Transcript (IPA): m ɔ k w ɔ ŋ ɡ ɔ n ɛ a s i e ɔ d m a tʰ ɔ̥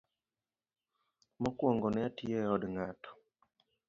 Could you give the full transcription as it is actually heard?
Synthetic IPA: m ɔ k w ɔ ŋ ɡ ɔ n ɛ a t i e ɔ d ŋ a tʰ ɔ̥